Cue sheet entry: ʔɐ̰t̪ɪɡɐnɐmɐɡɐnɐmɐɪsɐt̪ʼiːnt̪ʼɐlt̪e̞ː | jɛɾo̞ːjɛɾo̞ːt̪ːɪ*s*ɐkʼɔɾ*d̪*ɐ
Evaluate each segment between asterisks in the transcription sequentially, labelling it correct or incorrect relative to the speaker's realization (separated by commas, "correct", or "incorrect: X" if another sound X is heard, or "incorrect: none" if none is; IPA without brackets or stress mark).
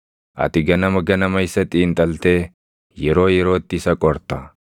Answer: correct, incorrect: t̪